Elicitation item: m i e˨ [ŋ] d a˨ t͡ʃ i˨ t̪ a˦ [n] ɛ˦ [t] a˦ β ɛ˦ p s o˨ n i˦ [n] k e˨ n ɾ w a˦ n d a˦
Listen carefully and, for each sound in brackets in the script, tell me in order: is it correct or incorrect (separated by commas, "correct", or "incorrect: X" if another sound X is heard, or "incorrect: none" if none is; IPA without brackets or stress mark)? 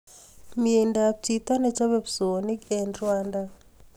incorrect: n, correct, incorrect: t͡ʃ, incorrect: none